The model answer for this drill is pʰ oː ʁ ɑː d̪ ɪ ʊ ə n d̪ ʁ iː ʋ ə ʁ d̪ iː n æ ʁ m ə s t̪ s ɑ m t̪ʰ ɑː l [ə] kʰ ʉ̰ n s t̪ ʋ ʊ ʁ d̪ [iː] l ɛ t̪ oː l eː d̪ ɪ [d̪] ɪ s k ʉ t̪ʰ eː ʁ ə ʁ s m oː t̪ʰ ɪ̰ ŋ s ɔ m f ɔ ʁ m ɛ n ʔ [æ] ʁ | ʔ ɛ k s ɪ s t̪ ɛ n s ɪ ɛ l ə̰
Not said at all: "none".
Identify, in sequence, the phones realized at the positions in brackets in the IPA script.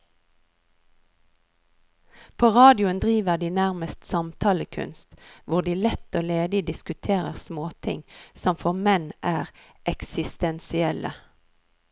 ə, iː, d̪, æː

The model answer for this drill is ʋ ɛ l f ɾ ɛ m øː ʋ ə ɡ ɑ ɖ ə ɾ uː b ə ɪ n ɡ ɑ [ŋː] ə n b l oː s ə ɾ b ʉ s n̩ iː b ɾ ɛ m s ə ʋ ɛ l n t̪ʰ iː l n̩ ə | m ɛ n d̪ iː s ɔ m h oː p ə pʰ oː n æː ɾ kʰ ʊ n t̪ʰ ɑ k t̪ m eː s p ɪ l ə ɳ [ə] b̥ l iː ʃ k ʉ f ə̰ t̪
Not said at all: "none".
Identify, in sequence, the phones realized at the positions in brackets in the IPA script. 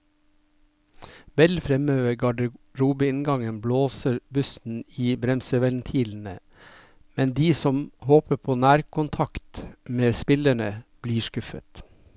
ŋ, ə

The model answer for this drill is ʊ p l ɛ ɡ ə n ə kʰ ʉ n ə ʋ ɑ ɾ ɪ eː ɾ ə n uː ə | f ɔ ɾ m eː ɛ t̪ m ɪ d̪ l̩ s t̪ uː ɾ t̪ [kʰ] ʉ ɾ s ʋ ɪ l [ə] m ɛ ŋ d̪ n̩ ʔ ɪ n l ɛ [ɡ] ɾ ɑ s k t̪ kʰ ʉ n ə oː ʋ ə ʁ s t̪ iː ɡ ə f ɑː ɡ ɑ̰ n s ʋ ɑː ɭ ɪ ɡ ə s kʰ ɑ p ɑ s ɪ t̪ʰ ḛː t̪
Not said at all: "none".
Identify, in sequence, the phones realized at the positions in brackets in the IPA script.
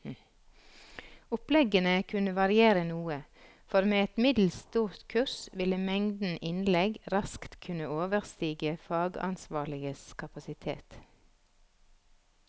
kʰ, ə, ɡ

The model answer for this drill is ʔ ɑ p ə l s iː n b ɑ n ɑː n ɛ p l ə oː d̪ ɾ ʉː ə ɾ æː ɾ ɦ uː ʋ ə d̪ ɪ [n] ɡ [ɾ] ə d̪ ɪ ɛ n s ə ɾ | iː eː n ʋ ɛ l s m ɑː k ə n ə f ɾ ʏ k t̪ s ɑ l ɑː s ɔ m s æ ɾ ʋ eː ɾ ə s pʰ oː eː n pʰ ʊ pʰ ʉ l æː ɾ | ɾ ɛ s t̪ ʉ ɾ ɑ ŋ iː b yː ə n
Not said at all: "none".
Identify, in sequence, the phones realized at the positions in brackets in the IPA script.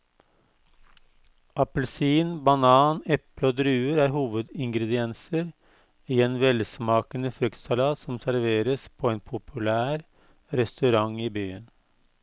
ŋ, ɾ

